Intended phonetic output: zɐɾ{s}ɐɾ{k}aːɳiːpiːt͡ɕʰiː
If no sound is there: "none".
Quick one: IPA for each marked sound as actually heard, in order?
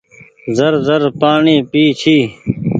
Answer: z, p

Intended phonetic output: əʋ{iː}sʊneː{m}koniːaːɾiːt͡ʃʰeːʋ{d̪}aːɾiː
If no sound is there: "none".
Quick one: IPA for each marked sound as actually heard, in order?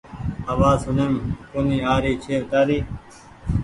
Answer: aː, m, t̪

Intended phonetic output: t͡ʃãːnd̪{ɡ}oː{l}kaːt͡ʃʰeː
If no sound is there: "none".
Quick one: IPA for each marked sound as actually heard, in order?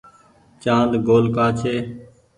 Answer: ɡ, l

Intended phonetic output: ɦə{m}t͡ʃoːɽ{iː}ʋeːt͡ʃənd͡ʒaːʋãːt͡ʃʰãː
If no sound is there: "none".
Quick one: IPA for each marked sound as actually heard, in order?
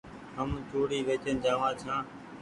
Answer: m, iː

